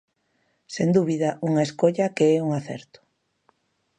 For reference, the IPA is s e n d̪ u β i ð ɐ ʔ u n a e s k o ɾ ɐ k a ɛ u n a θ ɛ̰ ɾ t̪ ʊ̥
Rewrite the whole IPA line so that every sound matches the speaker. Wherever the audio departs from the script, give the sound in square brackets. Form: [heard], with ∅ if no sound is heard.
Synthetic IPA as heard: s e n d̪ u β i ð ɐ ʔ u [ŋ] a e s k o [ʎ] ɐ k [e] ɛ u [ŋ] a θ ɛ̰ ɾ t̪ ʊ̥